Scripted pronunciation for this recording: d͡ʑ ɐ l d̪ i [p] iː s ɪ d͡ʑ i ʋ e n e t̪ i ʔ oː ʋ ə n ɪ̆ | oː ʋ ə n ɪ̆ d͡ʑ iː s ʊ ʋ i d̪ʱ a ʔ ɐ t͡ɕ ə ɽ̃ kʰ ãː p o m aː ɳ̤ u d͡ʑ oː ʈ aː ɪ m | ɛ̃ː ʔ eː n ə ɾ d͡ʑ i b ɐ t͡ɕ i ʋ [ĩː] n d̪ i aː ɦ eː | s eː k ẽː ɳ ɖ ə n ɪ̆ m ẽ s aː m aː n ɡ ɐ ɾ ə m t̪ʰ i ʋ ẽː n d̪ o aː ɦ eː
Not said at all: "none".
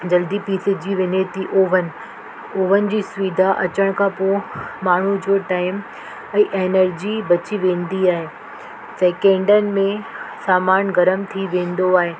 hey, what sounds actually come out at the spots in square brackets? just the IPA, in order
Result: p, ẽː

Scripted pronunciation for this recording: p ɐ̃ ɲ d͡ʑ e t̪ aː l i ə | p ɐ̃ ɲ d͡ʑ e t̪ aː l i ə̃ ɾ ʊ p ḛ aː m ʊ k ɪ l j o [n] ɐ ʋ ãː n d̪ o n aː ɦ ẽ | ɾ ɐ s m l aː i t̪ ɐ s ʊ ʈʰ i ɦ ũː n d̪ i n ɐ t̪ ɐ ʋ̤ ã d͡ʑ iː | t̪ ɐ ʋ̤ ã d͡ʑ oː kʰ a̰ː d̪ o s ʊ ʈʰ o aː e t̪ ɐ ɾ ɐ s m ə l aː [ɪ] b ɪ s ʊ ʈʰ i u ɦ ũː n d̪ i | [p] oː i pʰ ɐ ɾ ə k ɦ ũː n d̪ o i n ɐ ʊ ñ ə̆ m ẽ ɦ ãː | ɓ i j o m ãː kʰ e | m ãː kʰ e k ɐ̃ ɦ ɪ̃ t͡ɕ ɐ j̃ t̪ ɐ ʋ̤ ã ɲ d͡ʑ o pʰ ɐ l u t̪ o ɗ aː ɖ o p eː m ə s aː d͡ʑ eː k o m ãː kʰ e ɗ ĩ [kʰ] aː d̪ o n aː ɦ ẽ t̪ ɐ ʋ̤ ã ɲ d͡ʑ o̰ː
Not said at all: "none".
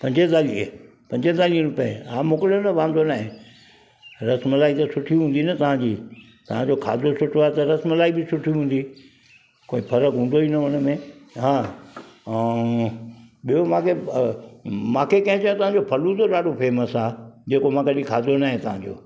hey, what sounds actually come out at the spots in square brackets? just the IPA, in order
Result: n, i, k, kʰ

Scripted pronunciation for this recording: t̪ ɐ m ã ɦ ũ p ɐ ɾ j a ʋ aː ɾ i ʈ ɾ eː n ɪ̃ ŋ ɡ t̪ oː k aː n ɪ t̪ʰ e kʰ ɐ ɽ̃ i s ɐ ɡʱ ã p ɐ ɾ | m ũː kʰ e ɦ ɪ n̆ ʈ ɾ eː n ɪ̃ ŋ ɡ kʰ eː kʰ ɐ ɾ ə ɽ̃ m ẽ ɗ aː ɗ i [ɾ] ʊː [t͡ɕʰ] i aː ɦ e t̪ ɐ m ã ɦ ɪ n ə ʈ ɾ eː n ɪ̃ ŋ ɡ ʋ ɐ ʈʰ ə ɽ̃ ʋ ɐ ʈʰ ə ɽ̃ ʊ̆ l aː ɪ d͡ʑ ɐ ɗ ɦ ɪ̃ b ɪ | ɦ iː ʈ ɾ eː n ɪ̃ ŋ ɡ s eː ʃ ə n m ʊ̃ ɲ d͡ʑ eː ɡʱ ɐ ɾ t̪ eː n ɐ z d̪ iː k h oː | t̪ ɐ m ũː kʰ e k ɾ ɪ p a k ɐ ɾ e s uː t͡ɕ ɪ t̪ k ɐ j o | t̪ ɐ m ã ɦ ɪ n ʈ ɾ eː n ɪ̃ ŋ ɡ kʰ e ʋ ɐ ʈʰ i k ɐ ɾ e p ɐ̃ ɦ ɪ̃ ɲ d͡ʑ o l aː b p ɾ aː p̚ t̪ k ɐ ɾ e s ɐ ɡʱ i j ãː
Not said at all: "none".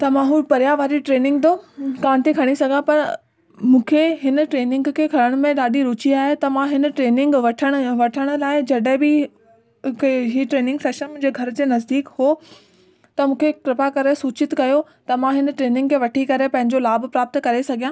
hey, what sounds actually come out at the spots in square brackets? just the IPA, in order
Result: ɾ, t͡ɕ

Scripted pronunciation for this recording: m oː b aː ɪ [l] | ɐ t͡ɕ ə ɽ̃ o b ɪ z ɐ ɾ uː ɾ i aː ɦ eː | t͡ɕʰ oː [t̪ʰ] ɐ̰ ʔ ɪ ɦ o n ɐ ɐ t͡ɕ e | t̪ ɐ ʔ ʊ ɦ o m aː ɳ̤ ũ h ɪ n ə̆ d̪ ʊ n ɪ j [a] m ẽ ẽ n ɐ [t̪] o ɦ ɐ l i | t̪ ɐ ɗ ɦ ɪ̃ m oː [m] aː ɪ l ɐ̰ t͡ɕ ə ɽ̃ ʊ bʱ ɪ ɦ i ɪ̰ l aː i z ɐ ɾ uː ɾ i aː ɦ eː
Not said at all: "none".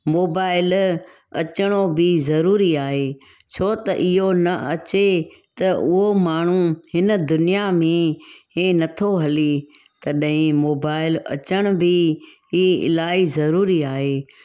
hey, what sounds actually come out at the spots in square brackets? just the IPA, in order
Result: l, t̪, a, t̪ʰ, b

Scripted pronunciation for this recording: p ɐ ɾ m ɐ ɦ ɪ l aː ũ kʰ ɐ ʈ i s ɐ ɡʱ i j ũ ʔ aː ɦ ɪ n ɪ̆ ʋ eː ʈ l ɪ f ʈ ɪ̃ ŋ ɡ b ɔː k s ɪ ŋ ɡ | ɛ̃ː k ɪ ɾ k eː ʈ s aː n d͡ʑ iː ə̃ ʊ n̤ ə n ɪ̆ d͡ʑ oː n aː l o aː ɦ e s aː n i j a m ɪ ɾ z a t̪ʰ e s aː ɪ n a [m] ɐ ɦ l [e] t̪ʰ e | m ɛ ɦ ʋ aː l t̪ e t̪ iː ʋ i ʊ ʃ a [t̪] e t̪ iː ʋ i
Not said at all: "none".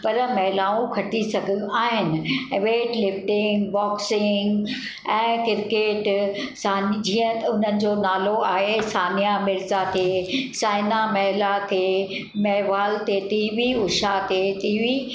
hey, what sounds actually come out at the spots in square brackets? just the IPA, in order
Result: m, a, t̪

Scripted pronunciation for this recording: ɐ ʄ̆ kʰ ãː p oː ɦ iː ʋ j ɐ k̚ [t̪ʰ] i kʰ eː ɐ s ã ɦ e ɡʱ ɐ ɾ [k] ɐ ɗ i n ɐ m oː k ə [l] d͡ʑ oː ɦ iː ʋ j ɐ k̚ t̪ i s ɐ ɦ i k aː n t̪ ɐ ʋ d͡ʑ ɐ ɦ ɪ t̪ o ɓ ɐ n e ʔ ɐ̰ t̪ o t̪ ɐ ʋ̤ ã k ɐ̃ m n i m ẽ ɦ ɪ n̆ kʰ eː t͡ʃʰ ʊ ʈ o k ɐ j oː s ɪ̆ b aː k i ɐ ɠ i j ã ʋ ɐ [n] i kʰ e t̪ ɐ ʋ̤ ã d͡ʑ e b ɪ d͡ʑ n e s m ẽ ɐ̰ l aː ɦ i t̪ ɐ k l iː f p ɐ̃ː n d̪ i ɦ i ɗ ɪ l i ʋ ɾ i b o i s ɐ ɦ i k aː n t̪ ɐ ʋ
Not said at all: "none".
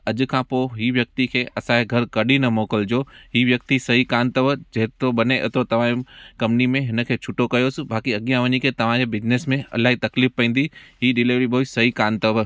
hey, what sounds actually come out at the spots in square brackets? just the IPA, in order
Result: t̪, k, l, ɲ

